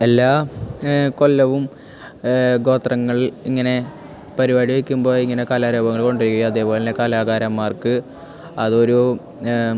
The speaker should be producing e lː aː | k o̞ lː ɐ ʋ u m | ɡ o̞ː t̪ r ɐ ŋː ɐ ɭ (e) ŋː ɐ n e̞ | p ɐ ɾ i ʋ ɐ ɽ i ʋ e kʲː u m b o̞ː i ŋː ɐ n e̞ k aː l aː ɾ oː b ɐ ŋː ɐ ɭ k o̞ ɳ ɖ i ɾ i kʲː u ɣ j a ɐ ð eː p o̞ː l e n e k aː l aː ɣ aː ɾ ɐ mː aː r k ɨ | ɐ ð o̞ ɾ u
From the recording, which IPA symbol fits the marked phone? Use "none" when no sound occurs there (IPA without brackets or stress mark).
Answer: i